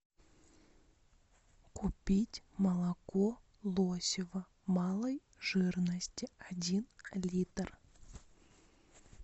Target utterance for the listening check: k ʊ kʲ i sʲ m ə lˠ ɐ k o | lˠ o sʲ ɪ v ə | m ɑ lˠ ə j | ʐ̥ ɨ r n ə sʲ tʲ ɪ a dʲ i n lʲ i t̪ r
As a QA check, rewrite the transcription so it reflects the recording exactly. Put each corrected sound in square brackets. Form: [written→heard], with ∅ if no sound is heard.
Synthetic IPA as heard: k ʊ [kʲ→pʲ] i [sʲ→tʲ] m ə lˠ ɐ k o | lˠ o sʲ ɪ v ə | m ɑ lˠ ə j | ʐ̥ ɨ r n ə sʲ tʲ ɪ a dʲ i n lʲ i t̪ r